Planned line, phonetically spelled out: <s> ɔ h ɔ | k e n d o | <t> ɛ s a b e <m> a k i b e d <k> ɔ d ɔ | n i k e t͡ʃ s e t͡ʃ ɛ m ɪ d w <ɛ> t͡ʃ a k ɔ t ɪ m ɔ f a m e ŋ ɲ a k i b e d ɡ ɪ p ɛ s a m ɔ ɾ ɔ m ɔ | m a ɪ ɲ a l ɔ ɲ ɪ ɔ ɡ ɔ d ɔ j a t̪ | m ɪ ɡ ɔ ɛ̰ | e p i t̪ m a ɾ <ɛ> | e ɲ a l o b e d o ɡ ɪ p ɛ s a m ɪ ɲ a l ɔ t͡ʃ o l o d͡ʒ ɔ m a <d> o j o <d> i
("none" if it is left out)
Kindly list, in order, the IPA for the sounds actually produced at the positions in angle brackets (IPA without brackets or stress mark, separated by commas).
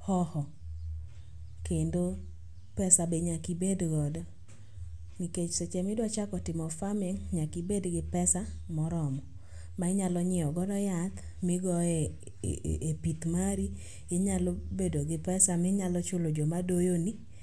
h, p, ɲ, ɡ, a, i, d, n